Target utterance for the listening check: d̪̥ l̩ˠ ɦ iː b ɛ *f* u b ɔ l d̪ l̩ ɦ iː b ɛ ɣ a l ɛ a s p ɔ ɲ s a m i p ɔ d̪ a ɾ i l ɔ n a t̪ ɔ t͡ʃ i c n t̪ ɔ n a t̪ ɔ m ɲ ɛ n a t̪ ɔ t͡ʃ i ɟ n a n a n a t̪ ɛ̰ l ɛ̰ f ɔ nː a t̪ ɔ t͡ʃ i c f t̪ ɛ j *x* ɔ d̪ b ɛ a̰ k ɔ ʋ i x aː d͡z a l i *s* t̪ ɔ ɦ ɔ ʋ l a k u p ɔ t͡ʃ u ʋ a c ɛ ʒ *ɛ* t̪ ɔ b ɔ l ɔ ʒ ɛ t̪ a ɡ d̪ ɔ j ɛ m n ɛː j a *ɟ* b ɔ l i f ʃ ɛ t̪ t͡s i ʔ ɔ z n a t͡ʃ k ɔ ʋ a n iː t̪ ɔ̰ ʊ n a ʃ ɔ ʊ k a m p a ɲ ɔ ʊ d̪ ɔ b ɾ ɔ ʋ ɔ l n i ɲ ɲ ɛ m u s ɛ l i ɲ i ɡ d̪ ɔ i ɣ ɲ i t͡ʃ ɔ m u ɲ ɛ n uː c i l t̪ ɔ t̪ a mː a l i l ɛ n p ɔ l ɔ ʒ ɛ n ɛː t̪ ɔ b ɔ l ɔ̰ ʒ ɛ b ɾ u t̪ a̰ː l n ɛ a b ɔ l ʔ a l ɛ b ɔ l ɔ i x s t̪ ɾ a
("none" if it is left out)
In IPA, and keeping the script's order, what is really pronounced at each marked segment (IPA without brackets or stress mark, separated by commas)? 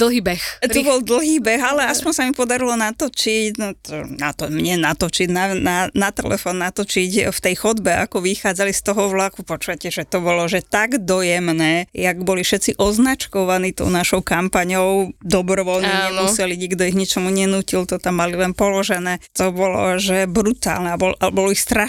x, x, s, ɛ, ɡ